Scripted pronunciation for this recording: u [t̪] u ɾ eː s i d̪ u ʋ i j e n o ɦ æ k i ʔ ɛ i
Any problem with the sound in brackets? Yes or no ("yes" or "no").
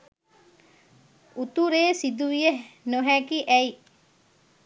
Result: no